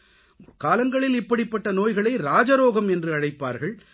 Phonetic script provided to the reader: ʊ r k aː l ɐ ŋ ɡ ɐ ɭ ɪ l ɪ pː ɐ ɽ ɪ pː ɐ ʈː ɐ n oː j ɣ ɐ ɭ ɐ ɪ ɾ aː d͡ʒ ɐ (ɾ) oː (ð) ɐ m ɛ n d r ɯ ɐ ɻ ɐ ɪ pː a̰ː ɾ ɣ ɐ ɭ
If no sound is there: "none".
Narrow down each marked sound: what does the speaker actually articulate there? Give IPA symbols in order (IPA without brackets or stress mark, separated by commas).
ɾ, ɣ